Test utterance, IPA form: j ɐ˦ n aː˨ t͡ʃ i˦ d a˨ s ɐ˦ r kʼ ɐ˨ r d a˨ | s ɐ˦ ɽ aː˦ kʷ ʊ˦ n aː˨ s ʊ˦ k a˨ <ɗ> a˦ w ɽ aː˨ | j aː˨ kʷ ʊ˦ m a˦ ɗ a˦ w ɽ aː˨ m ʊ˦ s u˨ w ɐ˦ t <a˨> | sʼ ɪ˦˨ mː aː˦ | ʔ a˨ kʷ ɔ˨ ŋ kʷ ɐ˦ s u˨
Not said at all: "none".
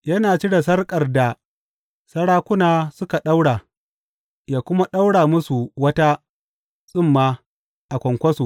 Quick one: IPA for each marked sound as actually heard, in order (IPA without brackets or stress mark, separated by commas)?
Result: ɗ, a˦